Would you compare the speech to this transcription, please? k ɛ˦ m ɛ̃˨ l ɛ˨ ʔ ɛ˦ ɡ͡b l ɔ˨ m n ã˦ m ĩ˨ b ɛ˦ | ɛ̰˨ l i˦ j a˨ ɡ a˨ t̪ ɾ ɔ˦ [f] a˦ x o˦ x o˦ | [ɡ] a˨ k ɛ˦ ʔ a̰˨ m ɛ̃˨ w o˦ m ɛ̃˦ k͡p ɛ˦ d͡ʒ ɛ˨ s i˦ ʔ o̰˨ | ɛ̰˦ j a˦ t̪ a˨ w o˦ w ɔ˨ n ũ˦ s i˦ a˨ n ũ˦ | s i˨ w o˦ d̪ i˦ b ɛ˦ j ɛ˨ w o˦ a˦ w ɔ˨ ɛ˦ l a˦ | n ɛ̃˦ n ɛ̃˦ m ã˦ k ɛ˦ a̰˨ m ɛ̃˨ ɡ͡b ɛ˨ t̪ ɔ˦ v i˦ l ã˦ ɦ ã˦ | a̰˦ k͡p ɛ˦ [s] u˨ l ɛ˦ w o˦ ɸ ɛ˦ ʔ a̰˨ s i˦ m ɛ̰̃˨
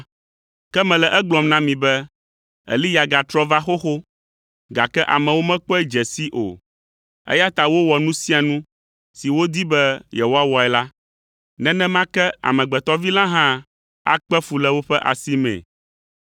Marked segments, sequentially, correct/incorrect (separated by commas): incorrect, correct, incorrect